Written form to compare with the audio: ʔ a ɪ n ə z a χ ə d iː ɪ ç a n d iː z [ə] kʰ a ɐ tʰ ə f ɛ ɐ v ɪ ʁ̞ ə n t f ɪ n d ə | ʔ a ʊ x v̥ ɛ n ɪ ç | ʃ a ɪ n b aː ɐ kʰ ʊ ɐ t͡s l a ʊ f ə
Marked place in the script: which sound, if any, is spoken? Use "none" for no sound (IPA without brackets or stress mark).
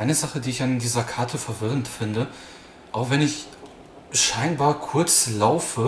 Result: ɐ